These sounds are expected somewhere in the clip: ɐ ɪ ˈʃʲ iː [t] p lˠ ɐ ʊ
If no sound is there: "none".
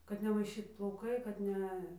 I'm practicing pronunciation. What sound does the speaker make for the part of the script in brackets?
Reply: t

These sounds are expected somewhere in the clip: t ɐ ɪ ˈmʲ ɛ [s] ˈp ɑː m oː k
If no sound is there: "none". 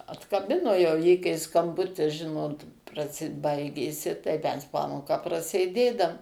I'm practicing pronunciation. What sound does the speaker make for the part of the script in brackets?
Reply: s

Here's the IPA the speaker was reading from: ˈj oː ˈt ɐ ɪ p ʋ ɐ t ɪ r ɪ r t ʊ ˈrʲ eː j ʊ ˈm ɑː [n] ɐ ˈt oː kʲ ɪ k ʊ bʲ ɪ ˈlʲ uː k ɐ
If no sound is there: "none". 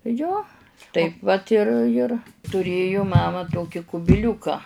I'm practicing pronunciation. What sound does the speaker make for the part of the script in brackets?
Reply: m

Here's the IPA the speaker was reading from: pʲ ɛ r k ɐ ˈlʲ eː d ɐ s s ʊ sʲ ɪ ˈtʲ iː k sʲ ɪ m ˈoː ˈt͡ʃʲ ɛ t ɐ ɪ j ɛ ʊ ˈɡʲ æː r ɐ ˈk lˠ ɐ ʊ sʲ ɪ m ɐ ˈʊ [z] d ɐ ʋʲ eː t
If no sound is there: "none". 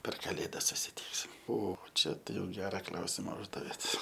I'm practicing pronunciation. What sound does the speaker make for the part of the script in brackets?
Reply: ʒ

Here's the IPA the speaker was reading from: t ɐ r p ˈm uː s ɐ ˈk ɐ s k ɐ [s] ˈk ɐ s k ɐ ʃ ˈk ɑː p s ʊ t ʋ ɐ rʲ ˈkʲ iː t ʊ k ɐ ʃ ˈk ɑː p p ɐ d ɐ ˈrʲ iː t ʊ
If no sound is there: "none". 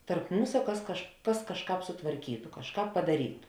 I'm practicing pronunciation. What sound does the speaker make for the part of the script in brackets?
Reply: ʃ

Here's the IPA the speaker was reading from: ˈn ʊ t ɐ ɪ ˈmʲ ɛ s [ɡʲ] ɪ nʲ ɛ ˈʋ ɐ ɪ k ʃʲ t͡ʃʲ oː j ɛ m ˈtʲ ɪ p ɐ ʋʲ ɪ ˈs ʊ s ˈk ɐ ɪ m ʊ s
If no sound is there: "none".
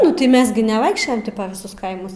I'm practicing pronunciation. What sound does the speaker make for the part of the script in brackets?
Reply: ɡʲ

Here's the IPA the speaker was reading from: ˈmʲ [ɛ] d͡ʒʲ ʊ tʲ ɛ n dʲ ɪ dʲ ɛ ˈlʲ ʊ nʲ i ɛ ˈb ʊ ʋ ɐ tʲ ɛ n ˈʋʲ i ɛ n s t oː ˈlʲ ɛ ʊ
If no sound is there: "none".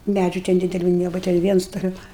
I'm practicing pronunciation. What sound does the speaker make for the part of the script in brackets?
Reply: æ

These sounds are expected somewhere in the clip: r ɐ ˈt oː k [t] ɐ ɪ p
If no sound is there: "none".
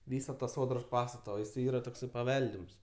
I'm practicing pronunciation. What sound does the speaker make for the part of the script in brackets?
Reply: s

